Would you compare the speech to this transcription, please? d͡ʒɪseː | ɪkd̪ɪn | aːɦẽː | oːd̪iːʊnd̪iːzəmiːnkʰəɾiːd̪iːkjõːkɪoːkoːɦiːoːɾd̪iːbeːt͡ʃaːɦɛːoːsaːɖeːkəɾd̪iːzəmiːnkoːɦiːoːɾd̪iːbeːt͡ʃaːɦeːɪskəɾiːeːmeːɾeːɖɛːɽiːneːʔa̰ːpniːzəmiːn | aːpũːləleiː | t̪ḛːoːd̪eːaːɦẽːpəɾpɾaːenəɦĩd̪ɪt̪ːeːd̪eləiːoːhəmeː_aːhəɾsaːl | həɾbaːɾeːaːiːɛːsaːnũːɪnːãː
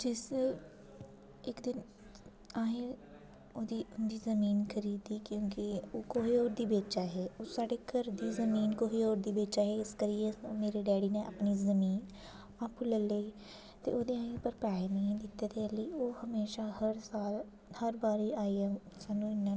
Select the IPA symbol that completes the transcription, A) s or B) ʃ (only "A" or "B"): B